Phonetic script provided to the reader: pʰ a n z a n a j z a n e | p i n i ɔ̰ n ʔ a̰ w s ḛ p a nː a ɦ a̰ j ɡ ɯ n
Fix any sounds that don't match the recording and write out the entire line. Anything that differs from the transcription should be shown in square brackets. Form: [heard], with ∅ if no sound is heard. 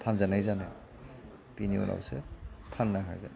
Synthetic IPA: pʰ a n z a n a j z a n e | p i n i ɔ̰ n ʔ a̰ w s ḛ [pʰ] a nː a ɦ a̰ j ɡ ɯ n